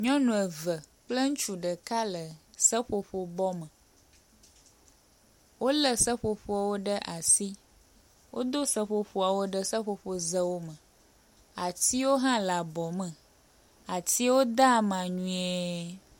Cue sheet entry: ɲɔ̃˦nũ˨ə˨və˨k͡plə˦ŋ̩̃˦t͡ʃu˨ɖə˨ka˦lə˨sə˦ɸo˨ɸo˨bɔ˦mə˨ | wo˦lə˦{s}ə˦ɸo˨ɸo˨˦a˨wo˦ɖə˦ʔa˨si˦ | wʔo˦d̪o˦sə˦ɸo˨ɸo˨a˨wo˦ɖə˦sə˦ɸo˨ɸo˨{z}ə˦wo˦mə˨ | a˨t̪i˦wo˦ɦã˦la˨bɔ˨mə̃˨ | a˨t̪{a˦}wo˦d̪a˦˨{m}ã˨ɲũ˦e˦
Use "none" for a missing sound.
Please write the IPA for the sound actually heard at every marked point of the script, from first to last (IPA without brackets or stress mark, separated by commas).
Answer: s, z, i˦, m